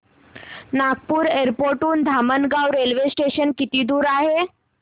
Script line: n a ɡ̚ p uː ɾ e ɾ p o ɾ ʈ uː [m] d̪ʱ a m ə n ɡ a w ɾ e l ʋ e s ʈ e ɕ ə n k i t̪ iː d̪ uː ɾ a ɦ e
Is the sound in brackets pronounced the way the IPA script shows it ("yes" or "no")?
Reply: no